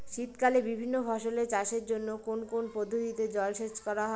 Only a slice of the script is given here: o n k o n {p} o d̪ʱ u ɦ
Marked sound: correct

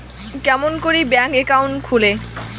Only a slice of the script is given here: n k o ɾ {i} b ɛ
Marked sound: correct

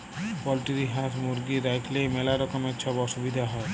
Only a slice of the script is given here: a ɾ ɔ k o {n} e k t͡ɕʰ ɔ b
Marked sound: incorrect: m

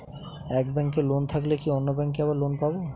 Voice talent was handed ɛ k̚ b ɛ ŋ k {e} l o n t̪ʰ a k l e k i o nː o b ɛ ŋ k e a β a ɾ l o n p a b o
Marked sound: correct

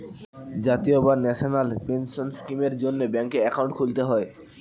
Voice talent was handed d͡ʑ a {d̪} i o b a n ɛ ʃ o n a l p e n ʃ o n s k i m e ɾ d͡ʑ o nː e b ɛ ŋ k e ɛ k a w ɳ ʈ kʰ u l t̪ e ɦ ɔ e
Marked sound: incorrect: t̪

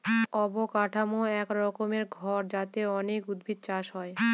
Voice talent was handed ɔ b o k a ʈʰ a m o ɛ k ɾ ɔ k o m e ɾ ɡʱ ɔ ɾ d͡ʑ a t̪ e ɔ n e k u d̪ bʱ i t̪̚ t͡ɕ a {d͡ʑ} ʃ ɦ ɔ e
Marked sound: incorrect: none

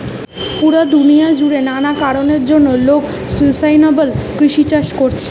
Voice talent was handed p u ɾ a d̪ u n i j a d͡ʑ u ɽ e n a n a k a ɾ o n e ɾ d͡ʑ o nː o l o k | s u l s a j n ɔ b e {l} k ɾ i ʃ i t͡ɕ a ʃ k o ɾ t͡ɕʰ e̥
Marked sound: correct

